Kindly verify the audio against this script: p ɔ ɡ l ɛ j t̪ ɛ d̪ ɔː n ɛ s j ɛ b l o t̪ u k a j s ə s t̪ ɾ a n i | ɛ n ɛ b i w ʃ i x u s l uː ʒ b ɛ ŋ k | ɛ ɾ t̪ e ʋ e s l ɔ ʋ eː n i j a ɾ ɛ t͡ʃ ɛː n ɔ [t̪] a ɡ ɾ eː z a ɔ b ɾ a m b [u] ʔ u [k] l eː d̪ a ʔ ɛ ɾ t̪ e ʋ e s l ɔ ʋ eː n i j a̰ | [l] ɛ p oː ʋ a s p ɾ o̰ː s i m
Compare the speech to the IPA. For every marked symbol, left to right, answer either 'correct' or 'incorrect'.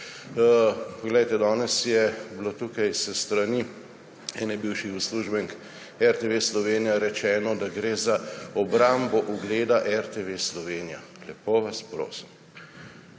incorrect, incorrect, incorrect, correct

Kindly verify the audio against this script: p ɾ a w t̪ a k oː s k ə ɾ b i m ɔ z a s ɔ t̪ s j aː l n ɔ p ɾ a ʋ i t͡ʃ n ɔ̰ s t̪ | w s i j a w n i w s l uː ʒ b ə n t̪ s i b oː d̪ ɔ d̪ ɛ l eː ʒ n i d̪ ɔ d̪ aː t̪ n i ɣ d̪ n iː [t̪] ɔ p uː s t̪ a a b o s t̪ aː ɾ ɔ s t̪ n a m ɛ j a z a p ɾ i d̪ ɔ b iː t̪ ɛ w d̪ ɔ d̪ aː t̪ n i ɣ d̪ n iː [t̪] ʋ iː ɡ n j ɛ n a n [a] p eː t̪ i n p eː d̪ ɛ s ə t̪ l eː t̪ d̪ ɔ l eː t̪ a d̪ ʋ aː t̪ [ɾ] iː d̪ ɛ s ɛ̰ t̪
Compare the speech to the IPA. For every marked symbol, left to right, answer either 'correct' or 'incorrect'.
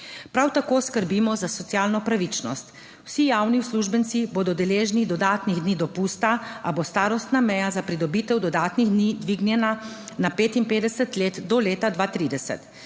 incorrect, incorrect, correct, correct

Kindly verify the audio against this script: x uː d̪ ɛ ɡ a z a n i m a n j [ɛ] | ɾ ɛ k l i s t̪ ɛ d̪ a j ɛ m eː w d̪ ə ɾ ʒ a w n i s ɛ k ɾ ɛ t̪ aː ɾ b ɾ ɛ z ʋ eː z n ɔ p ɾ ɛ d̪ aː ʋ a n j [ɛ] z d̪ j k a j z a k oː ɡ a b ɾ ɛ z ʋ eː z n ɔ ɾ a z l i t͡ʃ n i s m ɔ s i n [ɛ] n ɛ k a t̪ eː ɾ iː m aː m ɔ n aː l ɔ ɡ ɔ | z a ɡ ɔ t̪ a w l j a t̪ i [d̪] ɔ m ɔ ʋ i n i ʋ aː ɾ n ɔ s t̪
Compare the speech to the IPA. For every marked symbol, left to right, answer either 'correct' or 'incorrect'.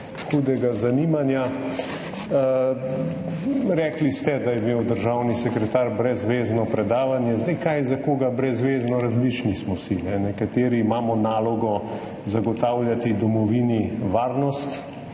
incorrect, correct, correct, correct

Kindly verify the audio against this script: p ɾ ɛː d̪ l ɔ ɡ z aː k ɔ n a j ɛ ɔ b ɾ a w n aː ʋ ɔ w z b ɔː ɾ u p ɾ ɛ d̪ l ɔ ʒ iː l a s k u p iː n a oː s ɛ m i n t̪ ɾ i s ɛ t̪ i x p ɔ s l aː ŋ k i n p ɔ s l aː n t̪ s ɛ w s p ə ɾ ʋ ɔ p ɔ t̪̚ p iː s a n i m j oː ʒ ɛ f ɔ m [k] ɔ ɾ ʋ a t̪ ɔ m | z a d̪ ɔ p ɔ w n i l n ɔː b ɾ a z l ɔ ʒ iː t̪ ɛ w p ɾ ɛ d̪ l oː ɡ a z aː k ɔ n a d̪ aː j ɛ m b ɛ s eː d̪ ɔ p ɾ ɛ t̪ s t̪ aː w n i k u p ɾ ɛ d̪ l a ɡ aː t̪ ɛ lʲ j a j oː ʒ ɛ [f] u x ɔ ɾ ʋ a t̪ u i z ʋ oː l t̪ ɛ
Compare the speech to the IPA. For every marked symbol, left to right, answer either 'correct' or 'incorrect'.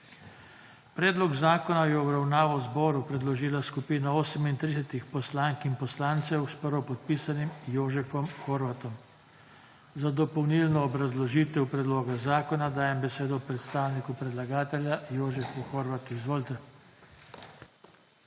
incorrect, correct

